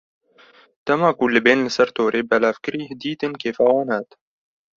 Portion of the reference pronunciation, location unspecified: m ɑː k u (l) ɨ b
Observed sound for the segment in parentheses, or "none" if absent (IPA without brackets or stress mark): l